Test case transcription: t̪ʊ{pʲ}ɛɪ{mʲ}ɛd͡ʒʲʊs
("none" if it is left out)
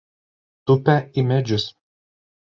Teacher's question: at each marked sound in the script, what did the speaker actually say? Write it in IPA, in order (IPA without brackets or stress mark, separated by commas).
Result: pʲ, mʲ